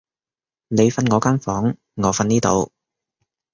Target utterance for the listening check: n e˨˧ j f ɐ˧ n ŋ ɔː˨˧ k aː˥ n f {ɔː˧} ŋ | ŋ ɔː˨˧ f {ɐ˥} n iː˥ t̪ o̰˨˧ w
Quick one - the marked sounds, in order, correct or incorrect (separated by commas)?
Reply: incorrect, incorrect